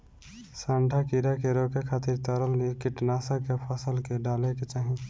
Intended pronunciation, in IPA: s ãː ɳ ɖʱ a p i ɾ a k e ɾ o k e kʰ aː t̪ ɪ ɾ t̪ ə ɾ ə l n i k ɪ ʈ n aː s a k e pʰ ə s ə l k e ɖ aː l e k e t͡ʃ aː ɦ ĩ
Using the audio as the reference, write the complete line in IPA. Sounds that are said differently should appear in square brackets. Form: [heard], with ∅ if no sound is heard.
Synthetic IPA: s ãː ɳ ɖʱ a [k] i ɾ a k e ɾ o k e kʰ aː t̪ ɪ ɾ t̪ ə ɾ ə l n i k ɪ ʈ n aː s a k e pʰ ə s ə l k e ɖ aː l e k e t͡ʃ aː ɦ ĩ